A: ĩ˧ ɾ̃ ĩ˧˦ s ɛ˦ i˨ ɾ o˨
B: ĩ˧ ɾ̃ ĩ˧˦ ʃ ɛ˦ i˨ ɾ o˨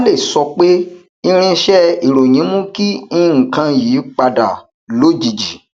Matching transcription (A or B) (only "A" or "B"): B